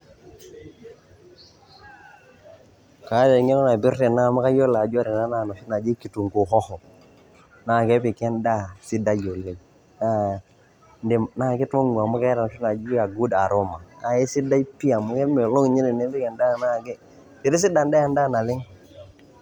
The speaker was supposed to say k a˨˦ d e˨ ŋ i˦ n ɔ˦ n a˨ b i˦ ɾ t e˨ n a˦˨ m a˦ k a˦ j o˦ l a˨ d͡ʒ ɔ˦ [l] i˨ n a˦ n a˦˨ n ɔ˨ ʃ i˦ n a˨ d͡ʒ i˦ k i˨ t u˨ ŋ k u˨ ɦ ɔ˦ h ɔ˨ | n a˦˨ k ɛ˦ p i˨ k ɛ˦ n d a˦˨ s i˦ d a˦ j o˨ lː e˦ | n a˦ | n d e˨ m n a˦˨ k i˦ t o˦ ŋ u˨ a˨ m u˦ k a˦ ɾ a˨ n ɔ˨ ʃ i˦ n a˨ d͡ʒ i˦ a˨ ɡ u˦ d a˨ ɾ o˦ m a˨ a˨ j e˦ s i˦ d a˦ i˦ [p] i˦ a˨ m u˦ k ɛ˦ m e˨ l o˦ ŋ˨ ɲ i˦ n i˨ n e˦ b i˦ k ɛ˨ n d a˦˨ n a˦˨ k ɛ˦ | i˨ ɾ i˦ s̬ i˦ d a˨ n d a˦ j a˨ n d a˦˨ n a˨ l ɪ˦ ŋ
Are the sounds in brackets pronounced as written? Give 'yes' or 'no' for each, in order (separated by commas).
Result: no, yes